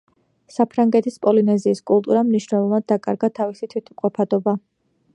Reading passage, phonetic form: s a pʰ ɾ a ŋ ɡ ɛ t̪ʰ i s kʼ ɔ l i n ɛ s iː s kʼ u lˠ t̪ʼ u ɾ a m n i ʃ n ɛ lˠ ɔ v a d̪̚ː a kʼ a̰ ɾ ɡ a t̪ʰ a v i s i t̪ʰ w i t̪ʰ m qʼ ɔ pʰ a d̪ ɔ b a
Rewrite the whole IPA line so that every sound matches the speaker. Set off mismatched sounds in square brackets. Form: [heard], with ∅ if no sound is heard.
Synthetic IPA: s a pʰ ɾ a ŋ ɡ ɛ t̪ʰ i s [pʼ] ɔ l i n ɛ [z] iː s kʼ u lˠ t̪ʼ u ɾ a m n i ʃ n ɛ lˠ ɔ v a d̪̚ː a kʼ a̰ ɾ ɡ a t̪ʰ a v i s i t̪ʰ w i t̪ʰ m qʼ ɔ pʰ a d̪ ɔ b a